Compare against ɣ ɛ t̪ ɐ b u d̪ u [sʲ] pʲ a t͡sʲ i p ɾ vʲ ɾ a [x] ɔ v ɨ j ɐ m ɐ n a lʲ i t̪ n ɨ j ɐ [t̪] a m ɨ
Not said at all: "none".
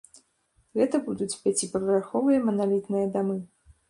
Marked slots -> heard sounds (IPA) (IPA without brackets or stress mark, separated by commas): t͡sʲ, x, d̪